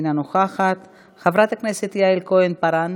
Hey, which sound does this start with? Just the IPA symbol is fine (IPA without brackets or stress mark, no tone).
n